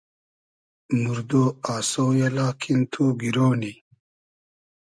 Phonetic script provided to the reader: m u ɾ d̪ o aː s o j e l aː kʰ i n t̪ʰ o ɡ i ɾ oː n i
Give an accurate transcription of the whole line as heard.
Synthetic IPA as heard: m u ɾ d̪ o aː s o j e l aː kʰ i n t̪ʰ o ɡ i ɾ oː n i